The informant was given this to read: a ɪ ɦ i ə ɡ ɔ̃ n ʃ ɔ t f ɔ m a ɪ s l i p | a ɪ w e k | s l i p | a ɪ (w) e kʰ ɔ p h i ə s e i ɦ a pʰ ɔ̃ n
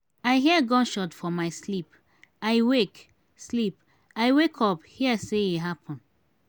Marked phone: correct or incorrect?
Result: correct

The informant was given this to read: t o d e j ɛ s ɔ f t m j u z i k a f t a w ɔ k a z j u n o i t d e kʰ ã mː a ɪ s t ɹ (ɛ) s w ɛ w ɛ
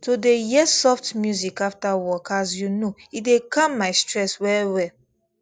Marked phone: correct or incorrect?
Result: correct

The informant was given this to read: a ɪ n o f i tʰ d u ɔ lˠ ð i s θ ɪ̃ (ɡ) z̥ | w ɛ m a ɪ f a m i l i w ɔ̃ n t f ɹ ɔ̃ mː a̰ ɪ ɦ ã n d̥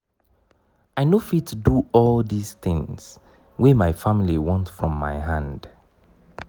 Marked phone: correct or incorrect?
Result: incorrect: ŋ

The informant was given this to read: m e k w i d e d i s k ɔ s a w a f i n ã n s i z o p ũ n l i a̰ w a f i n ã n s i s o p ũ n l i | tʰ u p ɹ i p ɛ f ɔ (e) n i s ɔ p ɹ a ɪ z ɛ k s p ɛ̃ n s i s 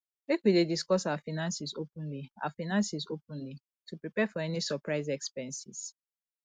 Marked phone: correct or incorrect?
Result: incorrect: ɛ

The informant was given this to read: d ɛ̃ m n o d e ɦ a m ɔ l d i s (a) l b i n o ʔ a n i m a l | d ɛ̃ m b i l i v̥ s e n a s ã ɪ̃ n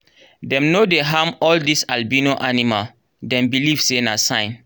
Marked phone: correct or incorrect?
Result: correct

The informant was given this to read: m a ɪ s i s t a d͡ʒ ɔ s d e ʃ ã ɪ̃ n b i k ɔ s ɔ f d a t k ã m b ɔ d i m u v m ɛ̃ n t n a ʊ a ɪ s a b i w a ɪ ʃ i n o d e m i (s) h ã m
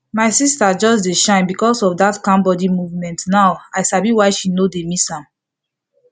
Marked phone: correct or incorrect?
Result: correct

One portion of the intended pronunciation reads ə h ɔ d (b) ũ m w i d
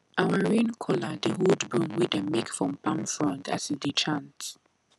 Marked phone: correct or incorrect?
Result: correct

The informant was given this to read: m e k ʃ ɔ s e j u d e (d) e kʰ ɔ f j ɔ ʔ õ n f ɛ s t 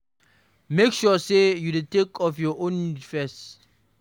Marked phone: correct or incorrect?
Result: incorrect: t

